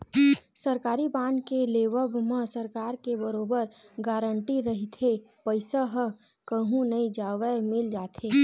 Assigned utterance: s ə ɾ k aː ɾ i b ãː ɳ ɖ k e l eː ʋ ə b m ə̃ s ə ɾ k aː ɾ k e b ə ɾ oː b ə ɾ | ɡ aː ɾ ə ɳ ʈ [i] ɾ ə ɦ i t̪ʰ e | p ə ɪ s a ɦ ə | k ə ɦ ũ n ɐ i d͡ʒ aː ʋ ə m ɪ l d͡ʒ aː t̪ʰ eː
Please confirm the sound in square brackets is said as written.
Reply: yes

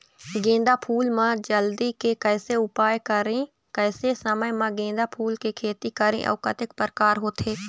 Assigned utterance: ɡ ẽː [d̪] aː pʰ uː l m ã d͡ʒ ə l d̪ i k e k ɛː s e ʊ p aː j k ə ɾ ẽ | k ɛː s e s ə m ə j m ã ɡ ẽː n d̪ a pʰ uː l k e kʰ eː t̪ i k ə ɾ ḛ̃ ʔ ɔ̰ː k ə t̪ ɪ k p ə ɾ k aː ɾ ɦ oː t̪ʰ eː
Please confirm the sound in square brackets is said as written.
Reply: yes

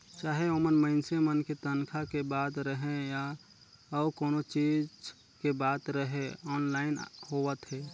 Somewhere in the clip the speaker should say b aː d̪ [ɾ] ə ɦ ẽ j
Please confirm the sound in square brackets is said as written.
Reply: yes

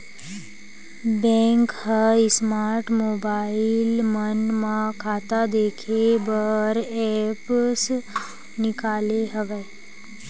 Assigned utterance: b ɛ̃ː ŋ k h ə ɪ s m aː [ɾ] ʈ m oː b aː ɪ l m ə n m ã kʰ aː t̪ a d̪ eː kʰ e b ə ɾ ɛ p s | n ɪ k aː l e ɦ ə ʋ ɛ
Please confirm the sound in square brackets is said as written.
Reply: yes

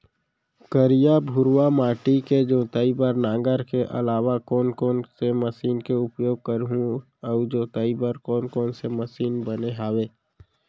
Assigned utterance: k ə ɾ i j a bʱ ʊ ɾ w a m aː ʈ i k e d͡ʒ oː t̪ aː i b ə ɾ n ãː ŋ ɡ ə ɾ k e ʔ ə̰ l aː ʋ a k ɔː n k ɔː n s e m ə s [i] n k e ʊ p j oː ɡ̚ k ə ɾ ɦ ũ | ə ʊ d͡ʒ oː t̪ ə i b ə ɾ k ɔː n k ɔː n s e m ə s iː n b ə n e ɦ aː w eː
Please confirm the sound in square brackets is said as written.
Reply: no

